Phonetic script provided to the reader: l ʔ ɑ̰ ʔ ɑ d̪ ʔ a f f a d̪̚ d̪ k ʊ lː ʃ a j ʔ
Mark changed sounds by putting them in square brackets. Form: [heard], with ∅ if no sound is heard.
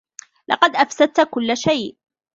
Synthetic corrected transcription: l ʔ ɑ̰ [q] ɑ d̪ ʔ a f [s] a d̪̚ [t̪] k ʊ lː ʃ a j ʔ

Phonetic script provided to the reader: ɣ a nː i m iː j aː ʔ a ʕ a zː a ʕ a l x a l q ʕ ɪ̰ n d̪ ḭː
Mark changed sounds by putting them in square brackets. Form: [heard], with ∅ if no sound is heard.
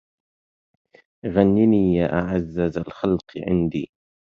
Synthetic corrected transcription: ɣ a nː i [n] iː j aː ʔ a ʕ a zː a [z] a l x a l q ʕ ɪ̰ n d̪ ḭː

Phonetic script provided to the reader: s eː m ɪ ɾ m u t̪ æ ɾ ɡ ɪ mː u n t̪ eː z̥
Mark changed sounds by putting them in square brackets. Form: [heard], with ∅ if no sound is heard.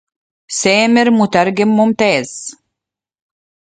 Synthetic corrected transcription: s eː m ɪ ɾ m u t̪ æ ɾ ɡ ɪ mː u [m] t̪ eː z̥

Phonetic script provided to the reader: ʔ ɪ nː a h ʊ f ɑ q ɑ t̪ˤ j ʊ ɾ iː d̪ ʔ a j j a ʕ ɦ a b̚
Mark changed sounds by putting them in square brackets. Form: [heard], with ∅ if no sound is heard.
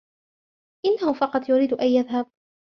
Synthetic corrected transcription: ʔ ɪ nː a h ʊ f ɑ q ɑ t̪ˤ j ʊ ɾ iː d̪ ʔ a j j a [ð] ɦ a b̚

